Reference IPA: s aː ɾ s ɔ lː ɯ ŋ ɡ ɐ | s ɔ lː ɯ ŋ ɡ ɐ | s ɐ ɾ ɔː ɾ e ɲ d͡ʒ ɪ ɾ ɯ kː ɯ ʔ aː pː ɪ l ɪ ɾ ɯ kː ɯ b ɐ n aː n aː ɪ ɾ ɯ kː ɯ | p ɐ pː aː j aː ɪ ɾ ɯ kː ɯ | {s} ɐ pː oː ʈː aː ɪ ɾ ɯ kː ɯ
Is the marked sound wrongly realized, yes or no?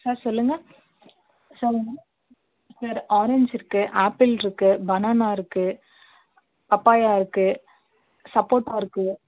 no